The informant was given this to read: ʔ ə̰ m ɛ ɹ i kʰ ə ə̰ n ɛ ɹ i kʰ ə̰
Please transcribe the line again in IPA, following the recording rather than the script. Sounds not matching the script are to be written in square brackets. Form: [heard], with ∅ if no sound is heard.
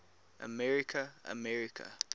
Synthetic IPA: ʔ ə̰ m ɛ ɹ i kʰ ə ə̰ [m] ɛ ɹ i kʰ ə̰